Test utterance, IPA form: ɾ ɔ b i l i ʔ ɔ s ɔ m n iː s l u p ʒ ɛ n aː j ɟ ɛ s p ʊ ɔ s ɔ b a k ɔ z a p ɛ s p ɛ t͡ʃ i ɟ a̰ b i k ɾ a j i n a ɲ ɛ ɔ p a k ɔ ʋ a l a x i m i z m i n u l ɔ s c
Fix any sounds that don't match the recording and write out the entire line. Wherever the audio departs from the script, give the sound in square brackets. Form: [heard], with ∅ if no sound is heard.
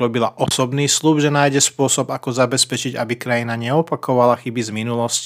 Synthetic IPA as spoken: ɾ ɔ b i l [a] ʔ ɔ s ɔ [b] n iː s l u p ʒ ɛ n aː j ɟ ɛ s p ʊ ɔ s ɔ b a k ɔ z a [b] ɛ s p ɛ t͡ʃ i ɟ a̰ b i k ɾ a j i n a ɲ ɛ ɔ p a k ɔ ʋ a l a x i [b] i z m i n u l ɔ s c